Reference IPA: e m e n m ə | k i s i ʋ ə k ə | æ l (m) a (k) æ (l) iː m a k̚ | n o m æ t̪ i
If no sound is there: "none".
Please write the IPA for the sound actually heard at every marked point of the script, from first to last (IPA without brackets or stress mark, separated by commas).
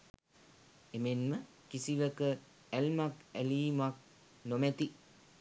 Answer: m, k, l